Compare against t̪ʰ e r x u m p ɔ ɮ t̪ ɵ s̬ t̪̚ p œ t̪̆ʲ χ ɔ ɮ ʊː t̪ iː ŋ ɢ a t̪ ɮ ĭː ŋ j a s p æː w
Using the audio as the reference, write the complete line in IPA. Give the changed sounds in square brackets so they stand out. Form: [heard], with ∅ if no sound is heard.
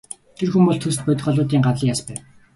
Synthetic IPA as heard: t̪ʰ e r x u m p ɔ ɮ [t̪ʰ] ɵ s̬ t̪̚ p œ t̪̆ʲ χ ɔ ɮ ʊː t̪ iː ŋ ɢ a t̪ ɮ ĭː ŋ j a s p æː w